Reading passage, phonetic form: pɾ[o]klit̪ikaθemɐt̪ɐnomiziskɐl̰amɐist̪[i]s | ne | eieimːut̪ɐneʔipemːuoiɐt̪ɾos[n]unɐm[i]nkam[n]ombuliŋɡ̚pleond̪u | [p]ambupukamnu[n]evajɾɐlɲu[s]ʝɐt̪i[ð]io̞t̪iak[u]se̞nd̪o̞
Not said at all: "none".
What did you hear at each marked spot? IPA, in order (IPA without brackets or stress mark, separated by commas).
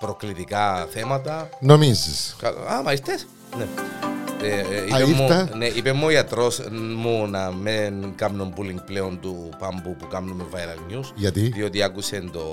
o, e, m, e, n, p, m, s, ð, u